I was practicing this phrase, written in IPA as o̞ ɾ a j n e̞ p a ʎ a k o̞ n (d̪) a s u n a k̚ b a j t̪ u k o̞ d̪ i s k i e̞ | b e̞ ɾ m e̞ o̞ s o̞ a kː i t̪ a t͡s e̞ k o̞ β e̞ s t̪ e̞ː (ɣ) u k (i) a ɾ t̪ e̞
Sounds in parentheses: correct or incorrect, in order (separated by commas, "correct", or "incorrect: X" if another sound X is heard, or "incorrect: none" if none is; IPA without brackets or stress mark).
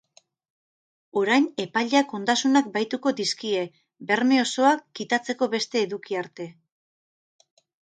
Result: correct, incorrect: ð, correct